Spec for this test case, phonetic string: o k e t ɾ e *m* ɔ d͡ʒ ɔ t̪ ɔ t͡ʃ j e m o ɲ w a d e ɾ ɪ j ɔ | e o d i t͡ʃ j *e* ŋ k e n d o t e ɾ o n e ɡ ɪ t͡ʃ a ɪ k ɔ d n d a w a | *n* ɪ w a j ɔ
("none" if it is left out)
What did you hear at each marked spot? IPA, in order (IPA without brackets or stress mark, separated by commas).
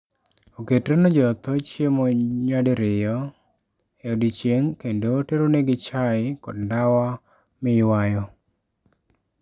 n, e, m